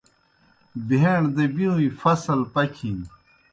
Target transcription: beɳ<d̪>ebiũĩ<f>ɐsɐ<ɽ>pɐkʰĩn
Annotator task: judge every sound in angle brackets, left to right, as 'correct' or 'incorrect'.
correct, correct, incorrect: l

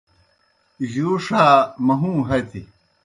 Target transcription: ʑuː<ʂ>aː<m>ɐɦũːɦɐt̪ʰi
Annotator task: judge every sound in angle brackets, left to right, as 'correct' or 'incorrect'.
correct, correct

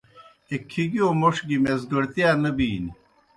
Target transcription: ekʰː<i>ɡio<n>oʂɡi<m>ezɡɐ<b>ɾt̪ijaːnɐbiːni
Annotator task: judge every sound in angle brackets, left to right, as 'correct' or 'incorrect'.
correct, incorrect: m, correct, incorrect: none

